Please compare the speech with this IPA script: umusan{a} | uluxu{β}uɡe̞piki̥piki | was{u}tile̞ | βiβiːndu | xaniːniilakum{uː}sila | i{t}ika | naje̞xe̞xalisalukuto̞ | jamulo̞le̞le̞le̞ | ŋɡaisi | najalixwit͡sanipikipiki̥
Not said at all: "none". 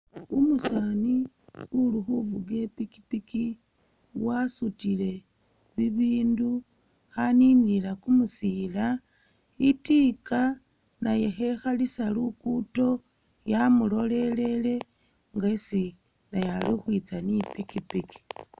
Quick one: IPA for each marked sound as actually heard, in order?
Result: i, v, u, u, t

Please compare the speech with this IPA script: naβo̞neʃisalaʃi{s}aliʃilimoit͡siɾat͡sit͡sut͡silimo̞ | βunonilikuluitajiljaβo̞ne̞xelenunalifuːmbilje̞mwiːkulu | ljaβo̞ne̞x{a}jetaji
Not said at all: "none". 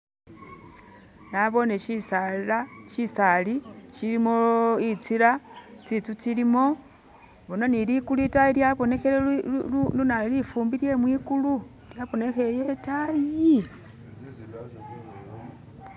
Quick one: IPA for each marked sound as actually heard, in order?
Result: s, e

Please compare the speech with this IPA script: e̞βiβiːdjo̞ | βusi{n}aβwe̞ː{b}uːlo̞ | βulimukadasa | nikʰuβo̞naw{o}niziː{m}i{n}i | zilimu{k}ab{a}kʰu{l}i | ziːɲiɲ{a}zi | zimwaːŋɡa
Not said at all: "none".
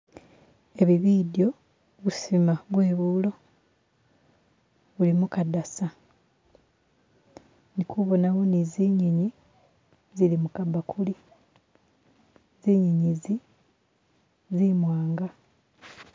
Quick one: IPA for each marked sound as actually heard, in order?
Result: m, β, o, ɲ, ɲ, k, a, l, i

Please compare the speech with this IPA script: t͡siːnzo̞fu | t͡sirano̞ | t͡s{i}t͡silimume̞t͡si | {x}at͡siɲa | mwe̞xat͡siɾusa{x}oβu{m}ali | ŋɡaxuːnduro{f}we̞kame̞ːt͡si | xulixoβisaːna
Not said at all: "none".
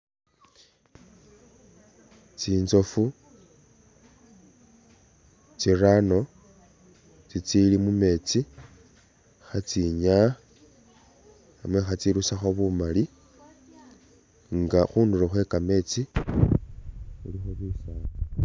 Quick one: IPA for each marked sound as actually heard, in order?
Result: i, x, x, m, x

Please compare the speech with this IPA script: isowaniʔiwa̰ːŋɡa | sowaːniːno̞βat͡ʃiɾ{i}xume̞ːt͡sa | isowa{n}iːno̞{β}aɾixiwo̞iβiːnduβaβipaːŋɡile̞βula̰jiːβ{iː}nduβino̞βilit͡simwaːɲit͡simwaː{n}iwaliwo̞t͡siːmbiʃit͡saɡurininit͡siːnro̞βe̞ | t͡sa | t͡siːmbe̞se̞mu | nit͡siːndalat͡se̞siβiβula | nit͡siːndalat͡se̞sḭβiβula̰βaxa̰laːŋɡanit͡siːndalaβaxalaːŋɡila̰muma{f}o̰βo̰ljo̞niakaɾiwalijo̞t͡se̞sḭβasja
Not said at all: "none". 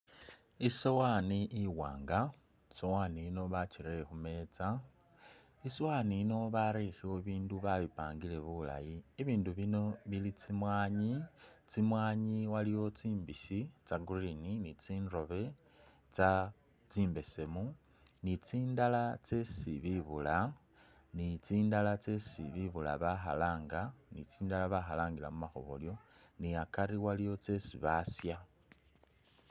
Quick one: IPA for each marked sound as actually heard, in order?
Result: e, n, β, iː, ɲ, x

